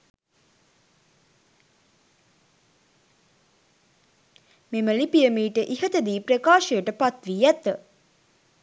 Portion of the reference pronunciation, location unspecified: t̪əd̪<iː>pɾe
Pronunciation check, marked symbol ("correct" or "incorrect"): correct